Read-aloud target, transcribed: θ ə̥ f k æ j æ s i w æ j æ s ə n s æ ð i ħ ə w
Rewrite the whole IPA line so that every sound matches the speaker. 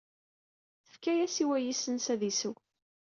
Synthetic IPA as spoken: θ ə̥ f k æ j æ s i w æ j i s ə n s æ ð i s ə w